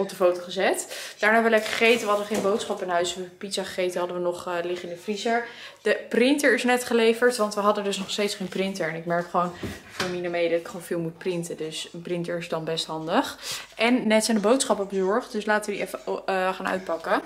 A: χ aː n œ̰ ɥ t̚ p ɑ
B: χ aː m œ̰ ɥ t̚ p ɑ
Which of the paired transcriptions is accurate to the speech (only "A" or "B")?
A